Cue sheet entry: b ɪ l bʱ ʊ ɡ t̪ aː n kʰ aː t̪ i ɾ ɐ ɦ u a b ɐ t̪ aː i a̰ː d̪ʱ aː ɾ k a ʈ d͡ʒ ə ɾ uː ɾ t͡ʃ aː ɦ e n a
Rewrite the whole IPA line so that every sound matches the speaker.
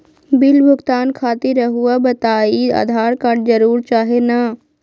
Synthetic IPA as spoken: b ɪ l bʱ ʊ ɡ t̪ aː n kʰ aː t̪ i ɾ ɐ ɦ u a b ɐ t̪ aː i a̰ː d̪ʱ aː ɾ k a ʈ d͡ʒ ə ɾ uː ɾ t͡ʃ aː ɦ e n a